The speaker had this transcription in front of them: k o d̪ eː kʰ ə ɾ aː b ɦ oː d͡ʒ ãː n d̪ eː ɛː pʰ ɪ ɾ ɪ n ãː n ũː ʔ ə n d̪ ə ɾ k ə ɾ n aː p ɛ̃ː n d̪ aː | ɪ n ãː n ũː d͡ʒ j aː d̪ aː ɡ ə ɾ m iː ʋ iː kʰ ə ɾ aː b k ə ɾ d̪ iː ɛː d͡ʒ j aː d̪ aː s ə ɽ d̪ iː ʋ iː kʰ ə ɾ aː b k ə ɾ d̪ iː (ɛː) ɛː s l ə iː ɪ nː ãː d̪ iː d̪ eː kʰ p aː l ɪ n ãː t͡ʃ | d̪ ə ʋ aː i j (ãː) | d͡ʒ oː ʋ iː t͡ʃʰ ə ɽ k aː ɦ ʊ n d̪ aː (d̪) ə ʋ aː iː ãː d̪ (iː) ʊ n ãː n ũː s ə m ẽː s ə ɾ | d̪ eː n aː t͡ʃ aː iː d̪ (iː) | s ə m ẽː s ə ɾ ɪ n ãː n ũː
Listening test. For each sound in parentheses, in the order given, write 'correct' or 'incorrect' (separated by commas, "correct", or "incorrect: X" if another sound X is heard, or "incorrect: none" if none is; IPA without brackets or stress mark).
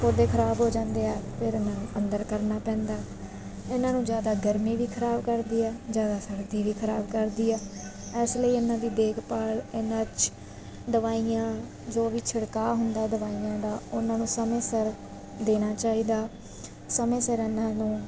correct, correct, correct, incorrect: aː, incorrect: aː